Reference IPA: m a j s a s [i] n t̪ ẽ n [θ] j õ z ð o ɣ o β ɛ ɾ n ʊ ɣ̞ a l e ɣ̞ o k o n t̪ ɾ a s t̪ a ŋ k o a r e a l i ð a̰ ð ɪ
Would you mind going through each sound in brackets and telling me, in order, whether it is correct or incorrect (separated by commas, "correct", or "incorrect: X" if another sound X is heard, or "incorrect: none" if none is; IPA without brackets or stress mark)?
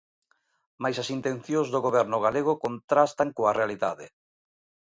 correct, correct